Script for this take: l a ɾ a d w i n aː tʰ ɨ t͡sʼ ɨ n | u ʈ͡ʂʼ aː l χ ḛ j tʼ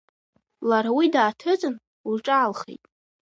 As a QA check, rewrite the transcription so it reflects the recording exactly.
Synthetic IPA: l a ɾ a w i d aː tʰ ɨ t͡sʼ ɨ n | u ʈ͡ʂʼ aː l χ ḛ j tʼ